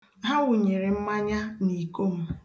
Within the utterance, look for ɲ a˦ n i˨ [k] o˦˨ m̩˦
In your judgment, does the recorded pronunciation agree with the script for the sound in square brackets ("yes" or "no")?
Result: yes